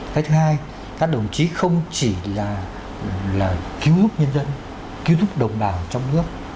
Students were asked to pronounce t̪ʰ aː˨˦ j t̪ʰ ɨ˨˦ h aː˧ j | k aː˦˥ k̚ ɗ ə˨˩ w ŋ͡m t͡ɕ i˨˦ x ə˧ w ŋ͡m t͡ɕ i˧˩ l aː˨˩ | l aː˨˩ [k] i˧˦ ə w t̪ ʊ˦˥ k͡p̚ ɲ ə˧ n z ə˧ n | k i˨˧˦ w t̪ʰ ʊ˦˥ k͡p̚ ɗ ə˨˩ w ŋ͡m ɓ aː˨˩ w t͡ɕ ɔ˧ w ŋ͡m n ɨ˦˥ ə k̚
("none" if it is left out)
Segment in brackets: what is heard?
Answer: k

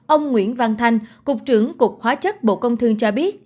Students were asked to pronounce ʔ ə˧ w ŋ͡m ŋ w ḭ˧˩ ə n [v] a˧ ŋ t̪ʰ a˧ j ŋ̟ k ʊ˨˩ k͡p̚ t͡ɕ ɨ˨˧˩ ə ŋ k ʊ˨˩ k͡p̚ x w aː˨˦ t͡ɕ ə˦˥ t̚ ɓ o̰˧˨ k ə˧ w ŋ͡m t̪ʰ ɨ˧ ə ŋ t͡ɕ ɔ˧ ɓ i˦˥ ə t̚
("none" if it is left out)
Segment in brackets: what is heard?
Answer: v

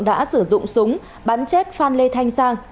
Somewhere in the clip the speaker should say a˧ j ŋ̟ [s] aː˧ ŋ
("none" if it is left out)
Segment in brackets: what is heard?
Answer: s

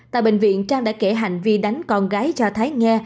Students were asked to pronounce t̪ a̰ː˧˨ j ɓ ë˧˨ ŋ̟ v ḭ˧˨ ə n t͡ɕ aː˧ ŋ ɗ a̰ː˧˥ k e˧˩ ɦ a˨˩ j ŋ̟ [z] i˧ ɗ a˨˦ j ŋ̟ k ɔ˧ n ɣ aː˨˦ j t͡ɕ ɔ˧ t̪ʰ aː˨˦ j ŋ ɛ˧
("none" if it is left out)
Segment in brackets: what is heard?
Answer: v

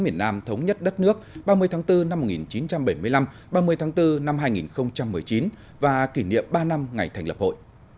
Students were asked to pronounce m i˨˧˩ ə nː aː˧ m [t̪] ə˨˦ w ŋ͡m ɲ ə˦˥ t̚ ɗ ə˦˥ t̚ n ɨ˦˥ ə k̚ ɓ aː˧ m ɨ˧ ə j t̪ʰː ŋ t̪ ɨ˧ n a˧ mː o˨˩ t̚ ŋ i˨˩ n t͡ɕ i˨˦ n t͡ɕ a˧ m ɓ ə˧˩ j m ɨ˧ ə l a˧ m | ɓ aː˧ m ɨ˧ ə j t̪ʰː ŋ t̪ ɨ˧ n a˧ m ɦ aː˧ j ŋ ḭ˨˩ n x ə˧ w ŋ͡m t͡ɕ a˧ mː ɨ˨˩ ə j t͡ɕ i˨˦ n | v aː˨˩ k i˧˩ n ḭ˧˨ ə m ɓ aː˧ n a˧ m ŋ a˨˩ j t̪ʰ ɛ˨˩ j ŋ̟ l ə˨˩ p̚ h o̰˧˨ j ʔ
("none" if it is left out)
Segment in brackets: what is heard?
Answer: t̪ʰ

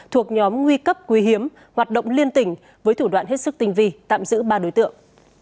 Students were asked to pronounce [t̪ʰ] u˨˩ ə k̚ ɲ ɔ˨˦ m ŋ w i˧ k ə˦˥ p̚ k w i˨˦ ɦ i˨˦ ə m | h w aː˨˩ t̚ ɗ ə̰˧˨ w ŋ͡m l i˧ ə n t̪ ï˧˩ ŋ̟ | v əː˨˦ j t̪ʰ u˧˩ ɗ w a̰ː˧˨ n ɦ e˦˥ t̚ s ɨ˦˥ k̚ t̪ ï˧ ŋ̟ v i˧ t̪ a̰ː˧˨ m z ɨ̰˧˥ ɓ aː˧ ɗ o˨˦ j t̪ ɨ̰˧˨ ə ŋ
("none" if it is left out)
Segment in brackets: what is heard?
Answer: t̪ʰ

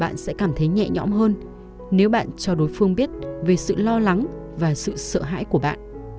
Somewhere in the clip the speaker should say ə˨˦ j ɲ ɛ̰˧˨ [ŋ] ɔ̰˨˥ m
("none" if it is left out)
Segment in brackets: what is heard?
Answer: ɲ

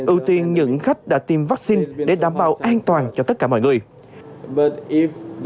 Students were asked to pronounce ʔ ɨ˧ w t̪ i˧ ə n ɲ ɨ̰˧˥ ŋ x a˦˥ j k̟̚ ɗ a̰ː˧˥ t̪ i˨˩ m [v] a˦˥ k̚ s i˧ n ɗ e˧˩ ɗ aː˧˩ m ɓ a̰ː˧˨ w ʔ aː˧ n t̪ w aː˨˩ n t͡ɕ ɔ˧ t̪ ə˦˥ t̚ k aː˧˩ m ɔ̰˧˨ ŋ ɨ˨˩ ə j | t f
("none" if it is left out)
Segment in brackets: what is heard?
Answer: v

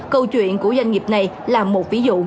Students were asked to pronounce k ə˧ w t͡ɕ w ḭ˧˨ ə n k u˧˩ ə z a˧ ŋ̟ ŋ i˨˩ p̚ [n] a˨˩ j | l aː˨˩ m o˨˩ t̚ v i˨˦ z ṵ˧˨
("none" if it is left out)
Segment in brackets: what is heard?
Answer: n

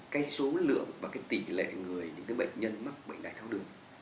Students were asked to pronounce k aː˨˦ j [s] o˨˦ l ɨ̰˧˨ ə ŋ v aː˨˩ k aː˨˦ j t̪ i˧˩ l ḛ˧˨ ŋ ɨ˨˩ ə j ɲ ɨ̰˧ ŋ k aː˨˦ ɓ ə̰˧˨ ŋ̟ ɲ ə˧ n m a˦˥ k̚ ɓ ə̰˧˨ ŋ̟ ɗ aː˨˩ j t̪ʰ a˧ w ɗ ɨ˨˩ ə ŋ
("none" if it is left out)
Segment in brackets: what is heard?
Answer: s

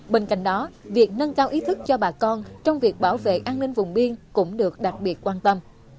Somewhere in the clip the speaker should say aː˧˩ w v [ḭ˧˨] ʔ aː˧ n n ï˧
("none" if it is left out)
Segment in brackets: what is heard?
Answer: ḛ˧˨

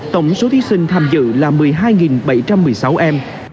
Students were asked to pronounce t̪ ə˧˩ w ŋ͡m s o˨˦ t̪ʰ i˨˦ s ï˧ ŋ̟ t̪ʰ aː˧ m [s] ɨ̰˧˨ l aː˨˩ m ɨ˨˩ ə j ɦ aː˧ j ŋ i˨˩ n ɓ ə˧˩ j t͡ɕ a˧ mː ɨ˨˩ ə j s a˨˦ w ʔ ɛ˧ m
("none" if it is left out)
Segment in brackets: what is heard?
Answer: z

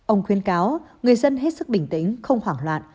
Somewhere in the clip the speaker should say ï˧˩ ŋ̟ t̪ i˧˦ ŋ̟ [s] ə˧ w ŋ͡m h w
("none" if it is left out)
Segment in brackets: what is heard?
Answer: x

